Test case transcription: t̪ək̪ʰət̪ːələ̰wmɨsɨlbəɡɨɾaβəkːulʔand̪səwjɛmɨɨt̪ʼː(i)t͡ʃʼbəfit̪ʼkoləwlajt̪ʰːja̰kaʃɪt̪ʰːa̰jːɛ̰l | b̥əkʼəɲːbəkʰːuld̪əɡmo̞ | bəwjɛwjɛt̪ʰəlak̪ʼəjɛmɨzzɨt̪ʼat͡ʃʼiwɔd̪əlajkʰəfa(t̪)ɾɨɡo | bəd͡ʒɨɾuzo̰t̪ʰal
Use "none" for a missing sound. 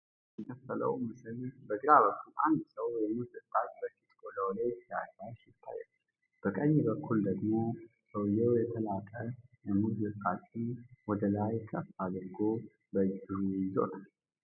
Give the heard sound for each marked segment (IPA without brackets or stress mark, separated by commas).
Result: a, d̪